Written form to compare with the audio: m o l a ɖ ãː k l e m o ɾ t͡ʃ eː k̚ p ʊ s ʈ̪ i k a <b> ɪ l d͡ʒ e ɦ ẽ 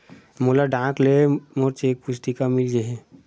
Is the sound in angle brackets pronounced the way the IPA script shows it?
no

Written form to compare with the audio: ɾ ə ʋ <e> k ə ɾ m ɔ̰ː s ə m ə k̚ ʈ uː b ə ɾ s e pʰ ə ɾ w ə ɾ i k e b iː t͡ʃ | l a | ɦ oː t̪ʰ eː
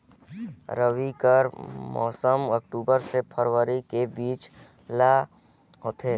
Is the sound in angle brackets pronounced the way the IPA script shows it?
no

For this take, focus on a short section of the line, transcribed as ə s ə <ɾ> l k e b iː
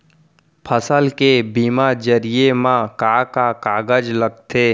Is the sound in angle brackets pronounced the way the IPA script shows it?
no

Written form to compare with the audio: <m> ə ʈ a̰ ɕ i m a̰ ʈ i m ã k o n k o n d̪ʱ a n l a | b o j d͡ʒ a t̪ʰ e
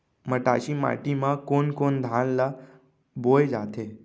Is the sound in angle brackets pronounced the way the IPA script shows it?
yes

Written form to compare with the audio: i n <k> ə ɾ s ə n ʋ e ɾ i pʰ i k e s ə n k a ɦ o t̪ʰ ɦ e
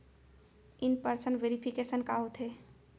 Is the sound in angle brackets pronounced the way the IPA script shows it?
no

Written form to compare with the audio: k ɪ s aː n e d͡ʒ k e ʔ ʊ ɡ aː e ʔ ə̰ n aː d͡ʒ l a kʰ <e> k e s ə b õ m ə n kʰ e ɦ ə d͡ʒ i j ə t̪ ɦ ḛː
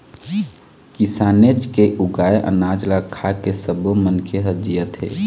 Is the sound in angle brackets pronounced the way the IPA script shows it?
no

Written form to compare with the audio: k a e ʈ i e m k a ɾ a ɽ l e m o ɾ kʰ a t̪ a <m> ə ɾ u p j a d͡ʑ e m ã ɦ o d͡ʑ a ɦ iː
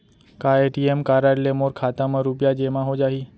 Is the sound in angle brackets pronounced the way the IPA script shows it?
yes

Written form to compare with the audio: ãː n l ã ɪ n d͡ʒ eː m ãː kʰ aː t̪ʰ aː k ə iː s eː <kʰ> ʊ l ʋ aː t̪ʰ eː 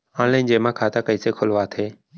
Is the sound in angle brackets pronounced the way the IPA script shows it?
yes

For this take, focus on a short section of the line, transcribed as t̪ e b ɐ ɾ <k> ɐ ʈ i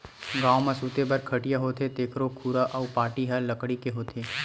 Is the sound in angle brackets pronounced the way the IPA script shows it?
no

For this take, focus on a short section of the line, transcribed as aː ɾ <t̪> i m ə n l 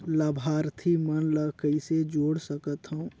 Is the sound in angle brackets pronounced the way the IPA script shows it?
no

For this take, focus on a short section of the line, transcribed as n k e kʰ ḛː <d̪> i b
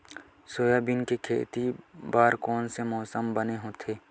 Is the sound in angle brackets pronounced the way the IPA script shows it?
no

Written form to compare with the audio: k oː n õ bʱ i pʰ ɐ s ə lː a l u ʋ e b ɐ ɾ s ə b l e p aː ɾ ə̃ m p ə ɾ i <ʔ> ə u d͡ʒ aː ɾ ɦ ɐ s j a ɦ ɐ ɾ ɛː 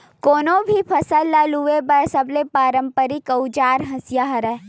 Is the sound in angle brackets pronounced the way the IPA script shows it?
no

